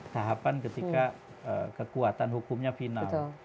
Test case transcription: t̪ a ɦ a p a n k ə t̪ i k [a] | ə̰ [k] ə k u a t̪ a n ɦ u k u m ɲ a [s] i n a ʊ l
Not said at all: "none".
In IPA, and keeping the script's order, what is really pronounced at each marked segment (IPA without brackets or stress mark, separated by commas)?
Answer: a, k, f